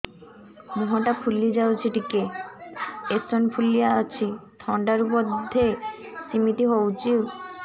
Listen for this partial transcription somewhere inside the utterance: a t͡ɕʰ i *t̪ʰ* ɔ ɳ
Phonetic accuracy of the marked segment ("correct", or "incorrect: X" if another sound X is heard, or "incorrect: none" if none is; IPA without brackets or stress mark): correct